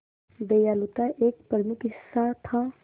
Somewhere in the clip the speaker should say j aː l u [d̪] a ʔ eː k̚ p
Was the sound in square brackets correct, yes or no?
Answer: no